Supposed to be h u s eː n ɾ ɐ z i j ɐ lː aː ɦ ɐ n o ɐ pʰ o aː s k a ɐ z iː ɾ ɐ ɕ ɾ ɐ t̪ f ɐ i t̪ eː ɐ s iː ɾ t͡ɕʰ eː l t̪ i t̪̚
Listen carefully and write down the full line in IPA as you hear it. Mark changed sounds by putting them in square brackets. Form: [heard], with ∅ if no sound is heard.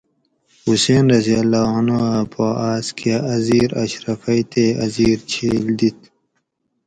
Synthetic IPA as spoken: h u s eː n ɾ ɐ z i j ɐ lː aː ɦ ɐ n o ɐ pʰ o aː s k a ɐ z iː ɾ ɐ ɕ ɾ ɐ [∅] f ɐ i t̪ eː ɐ [z] iː ɾ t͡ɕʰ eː l [d̪] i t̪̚